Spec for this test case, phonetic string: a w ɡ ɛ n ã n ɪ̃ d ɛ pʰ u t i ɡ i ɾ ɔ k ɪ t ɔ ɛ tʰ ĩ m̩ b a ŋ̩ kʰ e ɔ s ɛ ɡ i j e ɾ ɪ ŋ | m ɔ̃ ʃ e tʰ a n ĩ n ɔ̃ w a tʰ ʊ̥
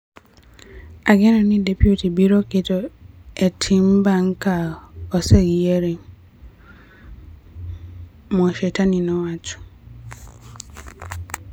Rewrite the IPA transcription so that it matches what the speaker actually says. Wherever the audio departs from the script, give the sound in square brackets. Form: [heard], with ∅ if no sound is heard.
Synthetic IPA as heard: a [∅] ɡ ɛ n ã n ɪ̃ d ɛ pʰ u t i [b] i ɾ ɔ k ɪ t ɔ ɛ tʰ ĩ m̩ b a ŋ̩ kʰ [a] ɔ s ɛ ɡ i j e ɾ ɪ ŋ | m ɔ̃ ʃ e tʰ a n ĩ n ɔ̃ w a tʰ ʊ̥